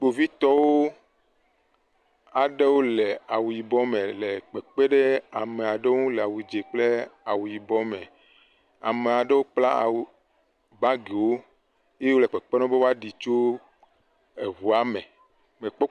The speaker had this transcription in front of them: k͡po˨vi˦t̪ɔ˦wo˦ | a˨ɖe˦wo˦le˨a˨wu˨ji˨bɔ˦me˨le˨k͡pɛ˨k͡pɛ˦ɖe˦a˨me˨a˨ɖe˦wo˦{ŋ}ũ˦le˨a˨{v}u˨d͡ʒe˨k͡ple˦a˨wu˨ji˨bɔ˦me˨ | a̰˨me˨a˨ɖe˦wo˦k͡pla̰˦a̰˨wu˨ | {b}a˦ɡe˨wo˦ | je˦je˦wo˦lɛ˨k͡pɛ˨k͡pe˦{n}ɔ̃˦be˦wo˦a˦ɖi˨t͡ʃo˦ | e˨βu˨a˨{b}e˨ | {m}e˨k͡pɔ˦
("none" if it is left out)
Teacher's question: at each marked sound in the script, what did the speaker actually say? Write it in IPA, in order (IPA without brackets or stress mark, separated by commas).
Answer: ŋ, w, b, n, m, m